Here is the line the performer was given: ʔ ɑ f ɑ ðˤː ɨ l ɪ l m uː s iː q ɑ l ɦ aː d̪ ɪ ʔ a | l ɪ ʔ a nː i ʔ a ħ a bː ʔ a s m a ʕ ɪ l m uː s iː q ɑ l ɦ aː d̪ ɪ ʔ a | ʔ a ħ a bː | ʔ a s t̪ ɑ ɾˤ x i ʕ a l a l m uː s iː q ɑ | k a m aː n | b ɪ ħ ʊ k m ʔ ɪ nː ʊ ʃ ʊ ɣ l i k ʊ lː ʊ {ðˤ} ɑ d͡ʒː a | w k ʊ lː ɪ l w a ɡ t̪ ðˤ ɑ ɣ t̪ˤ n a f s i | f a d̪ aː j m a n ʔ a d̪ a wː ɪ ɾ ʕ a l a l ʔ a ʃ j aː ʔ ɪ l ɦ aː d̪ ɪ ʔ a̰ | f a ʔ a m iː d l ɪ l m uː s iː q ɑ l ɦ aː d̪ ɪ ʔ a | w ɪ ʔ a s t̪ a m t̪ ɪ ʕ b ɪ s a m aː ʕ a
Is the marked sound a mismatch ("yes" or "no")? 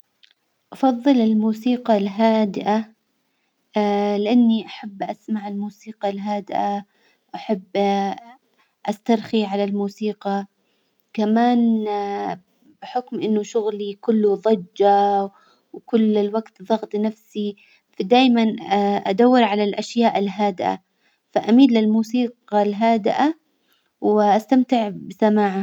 no